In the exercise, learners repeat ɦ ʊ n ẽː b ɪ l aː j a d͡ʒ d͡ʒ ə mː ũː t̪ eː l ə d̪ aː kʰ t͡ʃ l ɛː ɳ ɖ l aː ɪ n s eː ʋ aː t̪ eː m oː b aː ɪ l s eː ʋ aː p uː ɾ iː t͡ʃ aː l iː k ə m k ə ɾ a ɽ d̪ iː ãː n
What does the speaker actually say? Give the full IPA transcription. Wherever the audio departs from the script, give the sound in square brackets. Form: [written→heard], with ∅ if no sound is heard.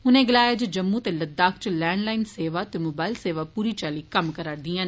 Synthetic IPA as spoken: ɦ ʊ n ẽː [b→ɡ] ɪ l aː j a d͡ʒ d͡ʒ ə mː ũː t̪ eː l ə d̪ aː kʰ t͡ʃ l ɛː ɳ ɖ l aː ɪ n s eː ʋ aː t̪ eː m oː b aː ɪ l s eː ʋ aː p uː ɾ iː t͡ʃ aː l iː k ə m k ə ɾ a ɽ d̪ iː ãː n